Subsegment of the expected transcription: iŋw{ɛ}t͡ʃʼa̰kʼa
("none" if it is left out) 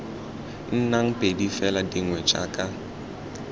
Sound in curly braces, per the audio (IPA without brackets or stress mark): ɛ